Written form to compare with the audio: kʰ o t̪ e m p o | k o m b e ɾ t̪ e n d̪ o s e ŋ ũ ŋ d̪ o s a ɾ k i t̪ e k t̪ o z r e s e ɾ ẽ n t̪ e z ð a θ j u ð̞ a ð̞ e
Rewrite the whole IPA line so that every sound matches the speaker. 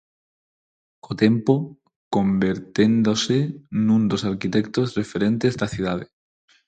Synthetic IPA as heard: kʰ o t̪ e m p o | k o m b e ɾ t̪ e n d̪ o s e n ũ n d̪ o s a ɾ k i t̪ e k t̪ o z r e f e ɾ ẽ n t̪ e z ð a θ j u ð̞ a ð̞ e